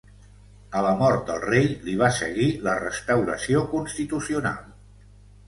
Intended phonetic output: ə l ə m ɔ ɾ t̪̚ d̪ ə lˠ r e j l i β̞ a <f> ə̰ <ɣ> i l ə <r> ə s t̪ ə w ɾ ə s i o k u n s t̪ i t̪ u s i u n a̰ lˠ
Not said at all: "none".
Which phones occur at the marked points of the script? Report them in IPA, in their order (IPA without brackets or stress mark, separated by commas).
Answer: s, ɣ, r